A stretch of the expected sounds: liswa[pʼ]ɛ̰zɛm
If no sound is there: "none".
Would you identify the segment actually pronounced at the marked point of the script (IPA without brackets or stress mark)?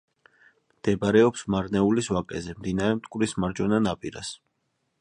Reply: kʼ